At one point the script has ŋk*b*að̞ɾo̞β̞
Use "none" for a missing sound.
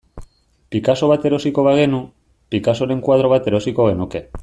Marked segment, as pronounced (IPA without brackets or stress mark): w